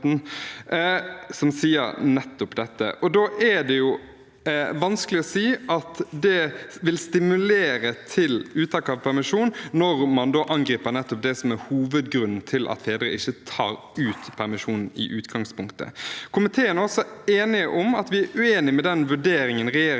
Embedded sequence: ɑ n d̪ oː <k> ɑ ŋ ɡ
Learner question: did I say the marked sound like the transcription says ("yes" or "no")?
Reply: no